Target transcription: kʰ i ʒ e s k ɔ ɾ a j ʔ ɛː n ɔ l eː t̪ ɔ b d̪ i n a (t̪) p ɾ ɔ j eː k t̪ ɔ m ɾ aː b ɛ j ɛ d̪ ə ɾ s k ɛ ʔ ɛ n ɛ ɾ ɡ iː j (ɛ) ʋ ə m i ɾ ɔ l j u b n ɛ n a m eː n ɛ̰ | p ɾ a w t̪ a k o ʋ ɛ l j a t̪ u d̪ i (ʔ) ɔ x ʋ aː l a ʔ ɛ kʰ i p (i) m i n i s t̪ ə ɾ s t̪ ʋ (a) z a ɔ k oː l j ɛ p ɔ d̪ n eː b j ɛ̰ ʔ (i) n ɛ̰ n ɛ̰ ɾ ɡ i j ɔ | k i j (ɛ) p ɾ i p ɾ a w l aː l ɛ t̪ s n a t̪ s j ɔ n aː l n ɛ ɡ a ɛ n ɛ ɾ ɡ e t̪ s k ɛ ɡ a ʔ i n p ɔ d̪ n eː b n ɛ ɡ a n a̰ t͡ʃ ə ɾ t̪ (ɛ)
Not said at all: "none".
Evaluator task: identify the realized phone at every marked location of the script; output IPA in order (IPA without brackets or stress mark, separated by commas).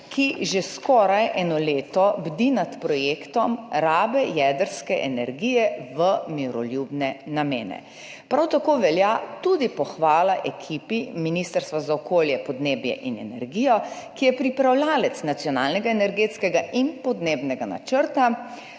t̪, ɛ, p, i, a, i, ɛ, a